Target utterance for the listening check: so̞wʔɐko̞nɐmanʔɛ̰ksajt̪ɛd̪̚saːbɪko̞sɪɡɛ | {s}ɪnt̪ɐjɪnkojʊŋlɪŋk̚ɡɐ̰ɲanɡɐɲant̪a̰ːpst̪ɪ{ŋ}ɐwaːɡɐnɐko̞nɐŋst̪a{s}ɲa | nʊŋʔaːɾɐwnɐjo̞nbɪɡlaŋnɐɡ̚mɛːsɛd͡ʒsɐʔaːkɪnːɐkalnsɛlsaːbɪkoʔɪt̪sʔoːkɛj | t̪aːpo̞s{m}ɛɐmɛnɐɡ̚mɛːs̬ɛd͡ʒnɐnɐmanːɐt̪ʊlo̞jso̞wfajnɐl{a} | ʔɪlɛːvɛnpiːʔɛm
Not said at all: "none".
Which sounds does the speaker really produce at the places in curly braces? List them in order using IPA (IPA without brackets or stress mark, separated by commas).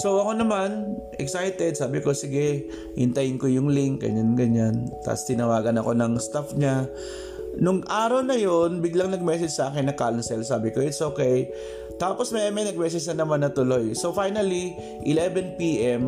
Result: h, n, f, m, i